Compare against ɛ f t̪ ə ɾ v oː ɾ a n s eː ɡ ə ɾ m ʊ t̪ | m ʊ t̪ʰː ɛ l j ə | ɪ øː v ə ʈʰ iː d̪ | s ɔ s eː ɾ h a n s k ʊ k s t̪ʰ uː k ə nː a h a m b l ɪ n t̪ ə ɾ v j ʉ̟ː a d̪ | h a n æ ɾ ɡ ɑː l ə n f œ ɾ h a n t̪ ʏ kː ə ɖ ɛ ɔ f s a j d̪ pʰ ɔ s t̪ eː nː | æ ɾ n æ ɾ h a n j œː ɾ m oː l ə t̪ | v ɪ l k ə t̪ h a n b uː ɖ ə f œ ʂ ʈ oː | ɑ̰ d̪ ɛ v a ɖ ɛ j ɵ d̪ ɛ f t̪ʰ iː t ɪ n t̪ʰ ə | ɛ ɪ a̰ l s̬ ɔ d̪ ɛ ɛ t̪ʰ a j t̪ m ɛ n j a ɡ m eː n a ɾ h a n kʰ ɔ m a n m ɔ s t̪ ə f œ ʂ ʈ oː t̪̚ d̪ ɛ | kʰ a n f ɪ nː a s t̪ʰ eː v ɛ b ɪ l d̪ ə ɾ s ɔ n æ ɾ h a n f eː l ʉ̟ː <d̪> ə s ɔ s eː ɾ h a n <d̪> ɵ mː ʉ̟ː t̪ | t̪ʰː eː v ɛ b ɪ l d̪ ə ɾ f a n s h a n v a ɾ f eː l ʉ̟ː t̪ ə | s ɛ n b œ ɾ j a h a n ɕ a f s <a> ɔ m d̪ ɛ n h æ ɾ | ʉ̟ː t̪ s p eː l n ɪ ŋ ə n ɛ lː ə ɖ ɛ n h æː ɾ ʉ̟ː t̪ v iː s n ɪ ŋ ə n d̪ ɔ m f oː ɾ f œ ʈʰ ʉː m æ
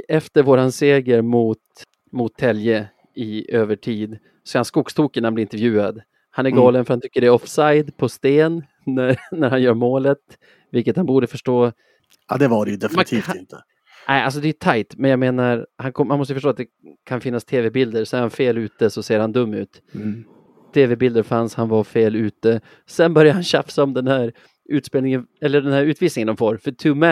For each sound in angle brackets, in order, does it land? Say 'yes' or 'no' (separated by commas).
no, yes, yes